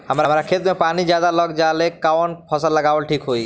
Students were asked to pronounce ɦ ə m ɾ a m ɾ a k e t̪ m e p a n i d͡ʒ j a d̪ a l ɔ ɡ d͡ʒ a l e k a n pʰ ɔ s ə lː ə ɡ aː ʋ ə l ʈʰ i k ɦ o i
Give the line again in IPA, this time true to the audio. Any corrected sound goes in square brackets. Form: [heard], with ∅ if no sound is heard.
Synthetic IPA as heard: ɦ ə m ɾ a m ɾ a [kʰ] e t̪ m e p a n i d͡ʒ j a d̪ a l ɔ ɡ d͡ʒ a l e k a n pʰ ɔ s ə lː ə ɡ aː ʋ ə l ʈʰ i k ɦ o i